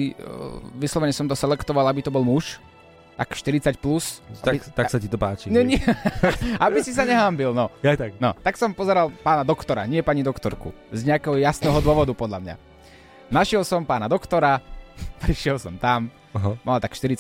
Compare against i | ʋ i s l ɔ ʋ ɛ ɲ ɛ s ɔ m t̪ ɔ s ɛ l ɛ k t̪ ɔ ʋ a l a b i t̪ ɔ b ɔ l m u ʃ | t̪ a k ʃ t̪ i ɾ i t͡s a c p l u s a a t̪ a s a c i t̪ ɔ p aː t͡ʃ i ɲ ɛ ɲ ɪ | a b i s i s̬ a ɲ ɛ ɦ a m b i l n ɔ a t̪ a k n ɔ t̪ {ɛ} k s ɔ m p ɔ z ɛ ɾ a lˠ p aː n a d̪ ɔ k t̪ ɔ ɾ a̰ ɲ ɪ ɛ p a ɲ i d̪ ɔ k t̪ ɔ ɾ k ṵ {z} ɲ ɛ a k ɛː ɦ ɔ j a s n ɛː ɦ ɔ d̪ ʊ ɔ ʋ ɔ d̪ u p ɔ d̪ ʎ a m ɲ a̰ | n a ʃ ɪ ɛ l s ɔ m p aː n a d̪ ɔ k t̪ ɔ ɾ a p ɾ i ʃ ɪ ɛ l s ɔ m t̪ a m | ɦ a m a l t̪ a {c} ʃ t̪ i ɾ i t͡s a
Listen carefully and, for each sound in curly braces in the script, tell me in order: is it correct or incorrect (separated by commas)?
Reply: incorrect, correct, incorrect